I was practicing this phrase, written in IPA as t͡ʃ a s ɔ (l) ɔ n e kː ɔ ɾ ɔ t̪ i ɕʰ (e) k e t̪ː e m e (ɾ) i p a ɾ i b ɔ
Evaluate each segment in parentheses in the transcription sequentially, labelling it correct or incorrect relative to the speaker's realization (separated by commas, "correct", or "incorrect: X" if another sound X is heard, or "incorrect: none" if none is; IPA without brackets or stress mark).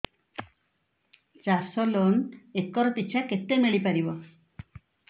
correct, incorrect: a, incorrect: ɭ